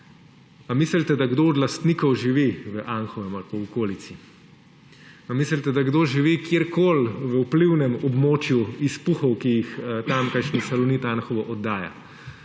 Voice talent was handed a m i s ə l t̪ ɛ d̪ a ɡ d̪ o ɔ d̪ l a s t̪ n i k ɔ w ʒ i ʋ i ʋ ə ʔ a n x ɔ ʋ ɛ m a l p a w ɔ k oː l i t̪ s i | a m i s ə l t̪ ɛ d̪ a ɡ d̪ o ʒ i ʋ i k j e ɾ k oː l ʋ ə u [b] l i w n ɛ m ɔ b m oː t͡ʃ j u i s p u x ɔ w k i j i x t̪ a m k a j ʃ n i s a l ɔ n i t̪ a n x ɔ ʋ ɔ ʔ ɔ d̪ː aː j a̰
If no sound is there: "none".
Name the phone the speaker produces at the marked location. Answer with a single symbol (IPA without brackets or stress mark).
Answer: p